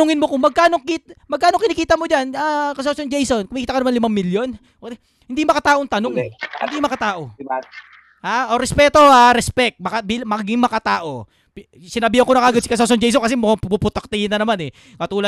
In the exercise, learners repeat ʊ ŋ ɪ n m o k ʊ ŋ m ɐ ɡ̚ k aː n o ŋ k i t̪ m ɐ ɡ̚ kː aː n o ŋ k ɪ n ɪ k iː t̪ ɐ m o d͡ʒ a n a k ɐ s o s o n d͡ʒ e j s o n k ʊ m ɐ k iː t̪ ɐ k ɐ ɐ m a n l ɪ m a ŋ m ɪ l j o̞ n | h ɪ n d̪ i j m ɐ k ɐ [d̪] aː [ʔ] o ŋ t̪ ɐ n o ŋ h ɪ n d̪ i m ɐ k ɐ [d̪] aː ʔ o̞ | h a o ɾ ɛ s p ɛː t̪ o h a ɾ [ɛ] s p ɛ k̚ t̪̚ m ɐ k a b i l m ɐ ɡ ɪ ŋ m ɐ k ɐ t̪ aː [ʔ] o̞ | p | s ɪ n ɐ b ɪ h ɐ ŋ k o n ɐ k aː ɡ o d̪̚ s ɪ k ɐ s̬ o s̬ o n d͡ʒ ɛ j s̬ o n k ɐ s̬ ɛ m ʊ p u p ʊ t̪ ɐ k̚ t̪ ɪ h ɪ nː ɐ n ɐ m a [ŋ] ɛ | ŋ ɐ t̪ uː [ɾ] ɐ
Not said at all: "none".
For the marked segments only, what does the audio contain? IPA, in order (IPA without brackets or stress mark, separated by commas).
t̪, ʔ, t̪, ɛ, ʔ, n, l